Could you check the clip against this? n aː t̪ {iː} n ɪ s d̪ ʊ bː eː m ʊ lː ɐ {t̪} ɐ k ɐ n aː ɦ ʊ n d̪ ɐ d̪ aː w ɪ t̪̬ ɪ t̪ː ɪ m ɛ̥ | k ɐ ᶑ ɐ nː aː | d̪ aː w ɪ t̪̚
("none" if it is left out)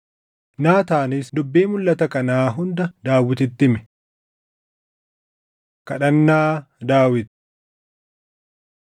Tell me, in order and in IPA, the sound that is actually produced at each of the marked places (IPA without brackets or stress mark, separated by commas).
aː, t̪